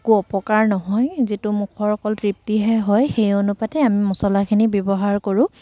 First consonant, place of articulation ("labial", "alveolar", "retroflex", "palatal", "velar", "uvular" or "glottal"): velar